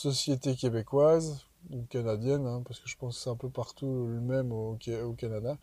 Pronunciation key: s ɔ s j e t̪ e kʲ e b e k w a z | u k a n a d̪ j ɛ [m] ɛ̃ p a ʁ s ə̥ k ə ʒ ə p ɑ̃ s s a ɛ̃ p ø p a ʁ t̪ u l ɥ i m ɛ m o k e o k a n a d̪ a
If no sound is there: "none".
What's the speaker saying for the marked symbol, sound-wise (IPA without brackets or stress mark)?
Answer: n